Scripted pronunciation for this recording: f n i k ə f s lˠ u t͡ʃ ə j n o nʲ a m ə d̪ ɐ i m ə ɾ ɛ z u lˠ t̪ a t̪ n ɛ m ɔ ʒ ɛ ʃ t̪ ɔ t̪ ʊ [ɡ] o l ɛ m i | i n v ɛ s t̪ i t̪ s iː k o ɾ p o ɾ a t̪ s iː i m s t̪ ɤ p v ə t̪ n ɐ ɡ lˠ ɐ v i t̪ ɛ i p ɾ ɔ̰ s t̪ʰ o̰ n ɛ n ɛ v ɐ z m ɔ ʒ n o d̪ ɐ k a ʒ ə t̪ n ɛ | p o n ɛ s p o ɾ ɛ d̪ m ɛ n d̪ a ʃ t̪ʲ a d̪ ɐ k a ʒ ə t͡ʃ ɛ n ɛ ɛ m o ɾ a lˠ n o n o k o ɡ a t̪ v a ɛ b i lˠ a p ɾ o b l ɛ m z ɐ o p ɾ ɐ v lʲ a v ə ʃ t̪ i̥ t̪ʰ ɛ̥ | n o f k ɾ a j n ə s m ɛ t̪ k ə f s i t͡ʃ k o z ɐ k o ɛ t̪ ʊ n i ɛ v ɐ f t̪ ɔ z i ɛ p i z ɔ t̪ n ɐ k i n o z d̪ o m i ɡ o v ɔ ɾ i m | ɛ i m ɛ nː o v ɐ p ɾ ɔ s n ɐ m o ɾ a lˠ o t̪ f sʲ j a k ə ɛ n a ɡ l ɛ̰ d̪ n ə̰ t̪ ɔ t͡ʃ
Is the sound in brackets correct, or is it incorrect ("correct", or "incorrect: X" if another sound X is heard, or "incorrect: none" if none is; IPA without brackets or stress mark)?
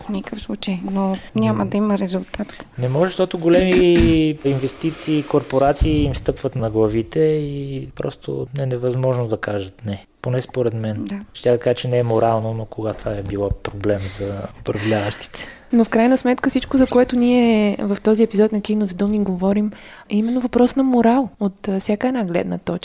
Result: correct